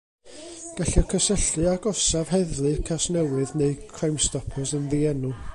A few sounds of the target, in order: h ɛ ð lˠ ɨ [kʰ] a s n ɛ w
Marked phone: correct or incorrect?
correct